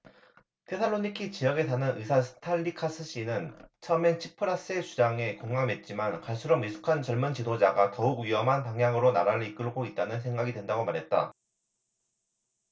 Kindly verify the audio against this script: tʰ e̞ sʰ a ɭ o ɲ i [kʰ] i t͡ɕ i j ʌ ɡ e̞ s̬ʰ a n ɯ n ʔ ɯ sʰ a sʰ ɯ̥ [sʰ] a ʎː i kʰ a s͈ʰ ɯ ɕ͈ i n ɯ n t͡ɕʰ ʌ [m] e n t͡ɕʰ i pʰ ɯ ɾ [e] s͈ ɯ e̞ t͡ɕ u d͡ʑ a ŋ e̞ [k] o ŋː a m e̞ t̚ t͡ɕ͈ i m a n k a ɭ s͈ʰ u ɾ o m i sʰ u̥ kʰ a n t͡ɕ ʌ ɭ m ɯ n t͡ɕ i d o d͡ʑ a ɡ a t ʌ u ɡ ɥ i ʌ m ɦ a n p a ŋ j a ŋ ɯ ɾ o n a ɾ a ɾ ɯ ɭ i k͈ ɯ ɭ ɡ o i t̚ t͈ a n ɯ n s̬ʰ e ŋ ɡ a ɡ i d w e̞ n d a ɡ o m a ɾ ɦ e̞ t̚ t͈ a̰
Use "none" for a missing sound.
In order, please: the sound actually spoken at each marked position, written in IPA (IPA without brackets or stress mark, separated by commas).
kʰ, tʰ, m, a, k